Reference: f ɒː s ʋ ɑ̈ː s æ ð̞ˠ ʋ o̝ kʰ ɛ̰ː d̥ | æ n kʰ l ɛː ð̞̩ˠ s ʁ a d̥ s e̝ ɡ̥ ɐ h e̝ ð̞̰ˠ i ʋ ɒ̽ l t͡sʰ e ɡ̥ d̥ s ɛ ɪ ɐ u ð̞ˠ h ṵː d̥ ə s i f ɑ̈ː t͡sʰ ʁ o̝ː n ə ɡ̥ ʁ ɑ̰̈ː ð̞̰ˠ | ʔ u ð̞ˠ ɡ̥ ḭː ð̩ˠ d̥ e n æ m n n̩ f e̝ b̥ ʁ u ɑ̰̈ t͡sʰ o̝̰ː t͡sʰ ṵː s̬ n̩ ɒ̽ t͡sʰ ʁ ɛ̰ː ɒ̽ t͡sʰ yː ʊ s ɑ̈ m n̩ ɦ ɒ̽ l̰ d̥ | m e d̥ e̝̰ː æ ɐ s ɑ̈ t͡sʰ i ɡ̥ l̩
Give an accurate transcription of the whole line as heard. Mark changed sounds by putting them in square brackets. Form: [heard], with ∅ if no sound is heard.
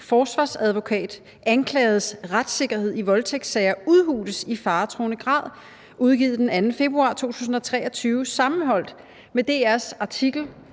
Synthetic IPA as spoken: f ɒː s ʋ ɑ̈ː s æ ð̞ˠ ʋ o̝ kʰ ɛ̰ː d̥ | æ n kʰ l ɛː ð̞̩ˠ s ʁ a d̥ s e̝ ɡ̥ ɐ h e̝ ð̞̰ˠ i ʋ ɒ̽ l t͡sʰ e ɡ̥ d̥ s ɛ ɪ ɐ u ð̞ˠ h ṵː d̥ ə s i f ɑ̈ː t͡sʰ ʁ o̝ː n ə ɡ̥ ʁ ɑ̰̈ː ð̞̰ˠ | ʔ u ð̞ˠ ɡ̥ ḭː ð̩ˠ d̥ e n æ [∅] n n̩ f e̝ b̥ ʁ u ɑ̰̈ t͡sʰ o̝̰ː t͡sʰ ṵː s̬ n̩ ɒ̽ t͡sʰ ʁ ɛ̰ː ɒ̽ t͡sʰ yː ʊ s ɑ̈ m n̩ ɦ ɒ̽ l̰ d̥ | m e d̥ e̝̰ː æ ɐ s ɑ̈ t͡sʰ i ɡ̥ l̩

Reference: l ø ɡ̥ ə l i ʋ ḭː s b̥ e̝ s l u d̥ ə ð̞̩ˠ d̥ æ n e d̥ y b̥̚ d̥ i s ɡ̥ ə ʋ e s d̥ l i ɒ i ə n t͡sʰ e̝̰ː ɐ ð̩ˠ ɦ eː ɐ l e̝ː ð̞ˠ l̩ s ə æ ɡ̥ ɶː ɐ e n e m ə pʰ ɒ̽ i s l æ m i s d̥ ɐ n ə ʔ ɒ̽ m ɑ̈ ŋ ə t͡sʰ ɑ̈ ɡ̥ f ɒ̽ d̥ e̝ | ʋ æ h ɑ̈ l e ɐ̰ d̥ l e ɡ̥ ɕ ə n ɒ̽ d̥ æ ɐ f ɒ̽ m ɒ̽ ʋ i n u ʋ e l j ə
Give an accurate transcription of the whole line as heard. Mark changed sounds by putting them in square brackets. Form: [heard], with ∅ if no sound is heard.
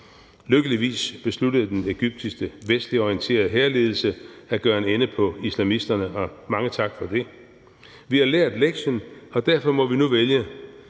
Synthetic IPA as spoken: l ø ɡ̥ ə l i ʋ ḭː s b̥ e̝ s l u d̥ ə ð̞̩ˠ d̥ [e] n e [ɡ̥] y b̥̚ d̥ i s ɡ̥ ə ʋ e s d̥ l i ɒ i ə n t͡sʰ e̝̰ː ɐ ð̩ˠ ɦ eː ɐ l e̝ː ð̞ˠ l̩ s ə æ ɡ̥ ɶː ɐ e n e [n] ə pʰ ɒ̽ i s l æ m i s d̥ ɐ n ə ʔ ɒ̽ m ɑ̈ ŋ ə t͡sʰ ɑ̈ ɡ̥ f ɒ̽ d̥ e̝ | ʋ [i] h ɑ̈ l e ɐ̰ d̥ l e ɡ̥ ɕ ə n ɒ̽ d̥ æ ɐ f ɒ̽ m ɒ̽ ʋ i n u ʋ e l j ə

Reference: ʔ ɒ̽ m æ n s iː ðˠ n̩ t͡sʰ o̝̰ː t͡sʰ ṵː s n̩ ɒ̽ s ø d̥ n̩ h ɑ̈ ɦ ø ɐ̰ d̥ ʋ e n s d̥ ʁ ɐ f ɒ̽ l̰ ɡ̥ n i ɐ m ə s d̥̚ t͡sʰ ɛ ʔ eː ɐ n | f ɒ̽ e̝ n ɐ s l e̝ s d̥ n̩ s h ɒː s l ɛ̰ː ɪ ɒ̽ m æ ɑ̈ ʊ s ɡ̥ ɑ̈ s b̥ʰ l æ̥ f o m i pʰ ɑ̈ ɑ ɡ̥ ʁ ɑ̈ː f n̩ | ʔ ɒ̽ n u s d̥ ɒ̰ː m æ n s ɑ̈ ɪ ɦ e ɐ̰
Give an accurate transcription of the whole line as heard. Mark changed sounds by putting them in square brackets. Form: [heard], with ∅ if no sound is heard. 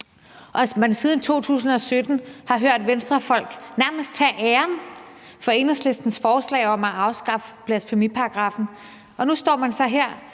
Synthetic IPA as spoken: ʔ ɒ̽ m æ n s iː ðˠ n̩ t͡sʰ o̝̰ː t͡sʰ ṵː s n̩ ɒ̽ s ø d̥ n̩ h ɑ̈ ɦ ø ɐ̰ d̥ ʋ e n s d̥ ʁ ɐ f ɒ̽ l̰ ɡ̥ n [æ] ɐ m ə s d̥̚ t͡sʰ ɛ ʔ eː ɐ n | f ɒ̽ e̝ n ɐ s l e̝ s d̥ n̩ s [f] ɒː s l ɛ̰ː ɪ ɒ̽ m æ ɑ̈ ʊ s ɡ̥ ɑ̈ [f] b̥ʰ l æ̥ f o m i pʰ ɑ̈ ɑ ɡ̥ ʁ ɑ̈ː f n̩ | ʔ ɒ̽ n u s d̥ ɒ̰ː m æ n s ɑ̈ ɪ ɦ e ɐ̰

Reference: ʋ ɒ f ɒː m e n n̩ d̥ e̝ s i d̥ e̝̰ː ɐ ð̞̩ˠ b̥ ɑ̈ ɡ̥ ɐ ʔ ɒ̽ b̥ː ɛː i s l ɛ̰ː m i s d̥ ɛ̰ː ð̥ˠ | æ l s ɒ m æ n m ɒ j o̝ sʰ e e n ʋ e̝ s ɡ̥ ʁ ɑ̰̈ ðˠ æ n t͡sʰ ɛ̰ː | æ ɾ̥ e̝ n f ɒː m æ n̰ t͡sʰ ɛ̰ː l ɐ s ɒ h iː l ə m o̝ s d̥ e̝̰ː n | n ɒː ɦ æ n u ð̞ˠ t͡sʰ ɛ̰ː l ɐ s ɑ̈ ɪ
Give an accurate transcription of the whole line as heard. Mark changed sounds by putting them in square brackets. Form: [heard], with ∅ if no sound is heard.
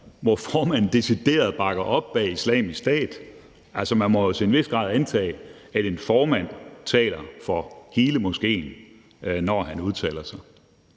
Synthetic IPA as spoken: ʋ ɒ f ɒː m [æ] n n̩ d̥ e̝ s i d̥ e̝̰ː ɐ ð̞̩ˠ b̥ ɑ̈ ɡ̥ ɐ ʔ ɒ̽ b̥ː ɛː i s l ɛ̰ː m i s d̥ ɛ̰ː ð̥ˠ | æ l s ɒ m æ n m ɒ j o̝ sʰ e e n ʋ e̝ s ɡ̥ ʁ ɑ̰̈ ðˠ æ n t͡sʰ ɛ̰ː | æ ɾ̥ e̝ n f ɒː m æ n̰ t͡sʰ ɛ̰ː l ɐ [f] ɒ h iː l ə m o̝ s [ɡ̥] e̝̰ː n | n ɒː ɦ æ n u ð̞ˠ t͡sʰ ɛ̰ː l ɐ s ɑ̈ ɪ

